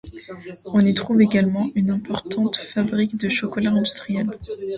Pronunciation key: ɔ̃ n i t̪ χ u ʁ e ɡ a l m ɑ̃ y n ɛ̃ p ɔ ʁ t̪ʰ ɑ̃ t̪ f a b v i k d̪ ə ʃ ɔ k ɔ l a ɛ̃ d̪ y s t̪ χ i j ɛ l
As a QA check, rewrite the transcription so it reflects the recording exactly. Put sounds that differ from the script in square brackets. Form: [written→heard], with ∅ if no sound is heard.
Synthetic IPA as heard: ɔ̃ n i t̪ χ u [ʁ→v] e ɡ a l m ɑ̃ y n ɛ̃ p ɔ ʁ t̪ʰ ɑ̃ t̪ f a b [v→ʁ] i k d̪ ə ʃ ɔ k ɔ l a ɛ̃ d̪ y s t̪ χ i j ɛ l

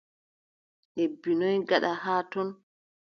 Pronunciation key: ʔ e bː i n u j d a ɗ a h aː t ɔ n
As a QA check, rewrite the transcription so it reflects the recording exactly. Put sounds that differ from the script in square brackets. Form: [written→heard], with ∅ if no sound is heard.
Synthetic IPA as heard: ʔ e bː i n [u→ɔ] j [d→ɡ] a ɗ a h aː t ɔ n

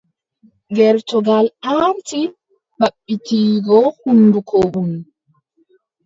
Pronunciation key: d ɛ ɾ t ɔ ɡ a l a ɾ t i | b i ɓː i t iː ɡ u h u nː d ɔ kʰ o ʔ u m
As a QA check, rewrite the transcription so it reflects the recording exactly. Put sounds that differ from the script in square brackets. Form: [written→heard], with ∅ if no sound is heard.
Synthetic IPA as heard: [d→ɡ] ɛ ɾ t ɔ ɡ a l a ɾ t i | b [i→a] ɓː i t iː ɡ [u→ɔ] h u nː d [ɔ→u] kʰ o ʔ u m

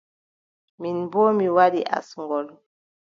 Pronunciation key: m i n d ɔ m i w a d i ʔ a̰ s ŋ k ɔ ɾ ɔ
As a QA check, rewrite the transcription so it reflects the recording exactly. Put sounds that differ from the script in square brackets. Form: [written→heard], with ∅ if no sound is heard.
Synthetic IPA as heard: m i n [d→b] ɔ m i w a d i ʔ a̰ s ŋ [k→ɡ] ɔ [ɾ→l] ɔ

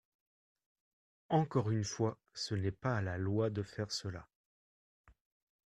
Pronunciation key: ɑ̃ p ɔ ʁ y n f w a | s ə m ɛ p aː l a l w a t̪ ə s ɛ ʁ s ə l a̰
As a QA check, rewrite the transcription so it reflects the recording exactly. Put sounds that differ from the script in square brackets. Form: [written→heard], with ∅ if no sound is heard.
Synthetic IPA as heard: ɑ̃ [p→k] ɔ ʁ y n f w a | s ə [m→n] ɛ p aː l a l w a [t̪→d̪] ə [s→f] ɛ ʁ s ə l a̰

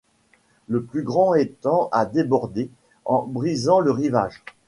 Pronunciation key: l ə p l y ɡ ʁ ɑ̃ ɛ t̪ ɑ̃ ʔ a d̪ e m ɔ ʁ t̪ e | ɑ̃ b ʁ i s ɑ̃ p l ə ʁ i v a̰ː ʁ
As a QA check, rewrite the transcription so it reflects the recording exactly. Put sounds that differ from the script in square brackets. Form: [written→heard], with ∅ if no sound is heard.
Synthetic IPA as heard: l ə p l y ɡ ʁ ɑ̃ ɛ t̪ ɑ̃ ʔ a d̪ e [m→b] ɔ ʁ [t̪→d̪] e | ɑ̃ b ʁ i [s→z] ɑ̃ [p→∅] l ə ʁ i v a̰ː [ʁ→ʒ]

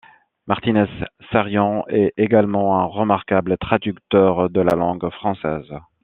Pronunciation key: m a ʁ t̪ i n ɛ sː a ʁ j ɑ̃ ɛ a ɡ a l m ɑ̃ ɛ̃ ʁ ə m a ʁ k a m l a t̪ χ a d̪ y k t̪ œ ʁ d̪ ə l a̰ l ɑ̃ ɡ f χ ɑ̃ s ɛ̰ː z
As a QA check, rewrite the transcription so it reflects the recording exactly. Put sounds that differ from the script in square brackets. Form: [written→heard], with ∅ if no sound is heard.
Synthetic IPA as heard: m a ʁ t̪ i n ɛ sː a ʁ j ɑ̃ ɛ [a→e] ɡ a l m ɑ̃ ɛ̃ ʁ ə m a ʁ k a [m→b] l [a→ə] t̪ χ a d̪ y k t̪ œ ʁ d̪ ə l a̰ l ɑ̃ ɡ f χ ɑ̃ s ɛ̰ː z

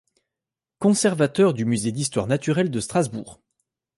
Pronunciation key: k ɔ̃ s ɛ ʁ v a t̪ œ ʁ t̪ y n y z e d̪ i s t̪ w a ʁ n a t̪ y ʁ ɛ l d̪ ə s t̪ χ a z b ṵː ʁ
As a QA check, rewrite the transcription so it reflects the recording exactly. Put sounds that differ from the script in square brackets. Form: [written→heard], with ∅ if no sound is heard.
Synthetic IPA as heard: k ɔ̃ s ɛ ʁ v a t̪ œ ʁ [t̪→d̪] y [n→m] y z e d̪ i s t̪ w a ʁ n a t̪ y ʁ ɛ l d̪ ə s t̪ χ a z b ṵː ʁ

